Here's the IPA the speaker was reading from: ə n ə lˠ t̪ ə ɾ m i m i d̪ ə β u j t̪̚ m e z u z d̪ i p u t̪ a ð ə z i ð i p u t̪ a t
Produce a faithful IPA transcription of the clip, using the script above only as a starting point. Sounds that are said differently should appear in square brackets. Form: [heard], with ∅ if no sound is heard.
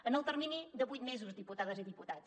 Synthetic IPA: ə n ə lˠ t̪ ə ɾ m i [n] i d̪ ə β u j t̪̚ m e z u z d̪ i p u t̪ a ð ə z i ð i p u t̪ a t